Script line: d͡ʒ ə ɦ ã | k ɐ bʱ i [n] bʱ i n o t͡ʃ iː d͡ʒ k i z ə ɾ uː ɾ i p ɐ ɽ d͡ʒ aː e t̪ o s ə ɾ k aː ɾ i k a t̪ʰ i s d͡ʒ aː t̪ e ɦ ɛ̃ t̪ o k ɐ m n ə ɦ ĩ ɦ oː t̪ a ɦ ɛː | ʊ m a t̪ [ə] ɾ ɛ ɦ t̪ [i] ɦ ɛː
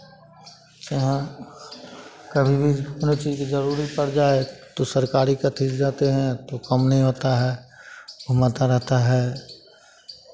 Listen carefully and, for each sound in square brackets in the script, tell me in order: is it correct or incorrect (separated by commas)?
incorrect, incorrect, incorrect